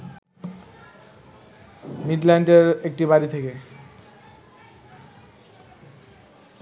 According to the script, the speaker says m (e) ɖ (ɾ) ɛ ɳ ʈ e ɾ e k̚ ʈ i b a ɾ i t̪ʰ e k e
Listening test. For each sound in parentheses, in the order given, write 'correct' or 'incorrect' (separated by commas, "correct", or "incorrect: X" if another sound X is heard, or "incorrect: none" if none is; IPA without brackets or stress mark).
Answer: incorrect: i, incorrect: l